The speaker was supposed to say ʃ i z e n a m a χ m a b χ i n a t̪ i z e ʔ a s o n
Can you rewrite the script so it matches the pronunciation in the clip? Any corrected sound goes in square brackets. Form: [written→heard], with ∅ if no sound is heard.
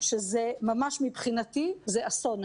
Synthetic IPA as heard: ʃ [i→e] z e [n→m] a m a [χ→ʃ] m [a→i] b χ i n a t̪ i z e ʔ a s o n

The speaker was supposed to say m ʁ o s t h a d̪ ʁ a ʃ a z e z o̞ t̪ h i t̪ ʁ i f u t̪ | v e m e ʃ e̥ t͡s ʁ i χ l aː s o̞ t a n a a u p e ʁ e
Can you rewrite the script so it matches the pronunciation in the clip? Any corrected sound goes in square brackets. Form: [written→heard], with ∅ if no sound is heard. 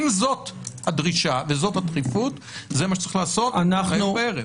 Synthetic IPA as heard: m [ʁ→z] o [s→∅] t h a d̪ ʁ [a→i] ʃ a [z→v] e z o̞ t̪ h [i→a] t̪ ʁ i f u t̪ | [v→z] e m [e→a] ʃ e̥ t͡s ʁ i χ l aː s o̞ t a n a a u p e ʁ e

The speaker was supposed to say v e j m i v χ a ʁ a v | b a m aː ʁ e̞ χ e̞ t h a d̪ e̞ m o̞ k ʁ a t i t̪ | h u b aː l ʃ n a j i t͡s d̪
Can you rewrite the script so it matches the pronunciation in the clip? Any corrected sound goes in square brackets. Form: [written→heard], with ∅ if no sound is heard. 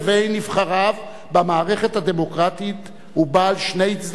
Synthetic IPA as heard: v e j [m→n] i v χ a ʁ a v | b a m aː ʁ e̞ χ e̞ t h a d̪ e̞ m o̞ k ʁ a t i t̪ | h u b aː l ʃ n [a→e] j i t͡s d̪

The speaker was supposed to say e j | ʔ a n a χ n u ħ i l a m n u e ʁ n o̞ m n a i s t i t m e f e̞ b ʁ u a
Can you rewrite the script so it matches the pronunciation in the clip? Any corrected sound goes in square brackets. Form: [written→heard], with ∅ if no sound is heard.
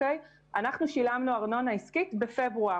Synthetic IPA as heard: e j | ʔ a n a χ n u [ħ→ʃ] i l a m n u [e→a] ʁ n o̞ [m→∅] n a i s [t→k] i t [m→b] e f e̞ b ʁ u a

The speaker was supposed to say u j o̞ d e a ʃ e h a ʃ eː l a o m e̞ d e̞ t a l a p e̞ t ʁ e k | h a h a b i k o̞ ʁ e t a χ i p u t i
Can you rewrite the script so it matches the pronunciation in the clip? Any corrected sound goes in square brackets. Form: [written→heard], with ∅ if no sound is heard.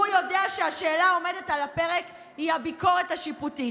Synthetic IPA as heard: u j o̞ d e a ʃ e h a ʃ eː l a o m e̞ d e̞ t a l a p e̞ [t→∅] ʁ e k | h [a→i] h a b i k o̞ ʁ e t a [χ→ʃ] i p u t i

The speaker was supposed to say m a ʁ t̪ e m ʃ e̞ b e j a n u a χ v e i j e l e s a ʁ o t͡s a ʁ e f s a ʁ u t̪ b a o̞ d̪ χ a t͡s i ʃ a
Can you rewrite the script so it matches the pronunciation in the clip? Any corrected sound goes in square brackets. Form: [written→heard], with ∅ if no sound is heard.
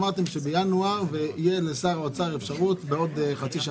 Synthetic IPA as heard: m a ʁ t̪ e m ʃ e̞ b e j a n u a [χ→ʁ] v e i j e l e s a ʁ o t͡s a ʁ e f [s→ʃ] a ʁ u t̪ b [a→e] o̞ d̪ χ a t͡s i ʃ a

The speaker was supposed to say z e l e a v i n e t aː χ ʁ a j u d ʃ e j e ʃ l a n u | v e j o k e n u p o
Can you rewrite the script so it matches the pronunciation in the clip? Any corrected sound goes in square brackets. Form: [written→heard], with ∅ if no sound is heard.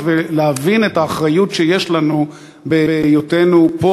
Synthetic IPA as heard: [z→v] e l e a v i n e t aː χ ʁ a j u [d→t] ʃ e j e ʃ l a n u | [v→b] e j o [k→t] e n u p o

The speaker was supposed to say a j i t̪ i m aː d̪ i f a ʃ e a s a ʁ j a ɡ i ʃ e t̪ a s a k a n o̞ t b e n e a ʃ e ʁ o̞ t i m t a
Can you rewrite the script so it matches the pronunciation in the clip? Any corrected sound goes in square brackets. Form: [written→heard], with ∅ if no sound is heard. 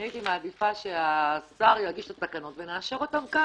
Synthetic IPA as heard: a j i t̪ i m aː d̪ i f a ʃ e a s a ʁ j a ɡ i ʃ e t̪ a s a k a n o̞ t [b→v] e n e a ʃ e ʁ o̞ t [i→a] m [t→k] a

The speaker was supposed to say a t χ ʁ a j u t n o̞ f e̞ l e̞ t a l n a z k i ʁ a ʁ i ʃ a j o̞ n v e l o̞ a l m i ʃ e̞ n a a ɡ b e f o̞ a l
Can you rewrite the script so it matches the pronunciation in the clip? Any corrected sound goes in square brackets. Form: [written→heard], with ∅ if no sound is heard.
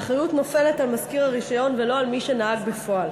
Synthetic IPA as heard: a [t→∅] χ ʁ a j u t n o̞ f e̞ l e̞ t a l [n→m] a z k i ʁ a ʁ i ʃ a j o̞ n v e l o̞ a l m i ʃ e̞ n a a ɡ b e f o̞ a l

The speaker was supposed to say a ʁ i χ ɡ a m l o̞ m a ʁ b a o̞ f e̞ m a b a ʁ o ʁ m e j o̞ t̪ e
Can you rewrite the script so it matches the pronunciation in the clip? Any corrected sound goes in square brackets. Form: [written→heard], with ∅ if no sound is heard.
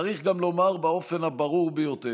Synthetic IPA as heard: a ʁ i χ ɡ a m l o̞ m a ʁ b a o̞ f e̞ [m→n] a b a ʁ [o→u] ʁ [m→b] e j o̞ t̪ e

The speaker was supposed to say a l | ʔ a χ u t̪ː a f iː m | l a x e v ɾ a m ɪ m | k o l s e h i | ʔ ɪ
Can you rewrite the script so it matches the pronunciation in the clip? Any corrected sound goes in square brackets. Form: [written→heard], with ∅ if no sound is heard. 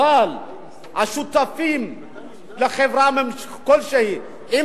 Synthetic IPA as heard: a l | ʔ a [χ→ʃ] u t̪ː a f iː m | l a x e v ɾ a m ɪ m | k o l [s→ʃ] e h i | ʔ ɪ

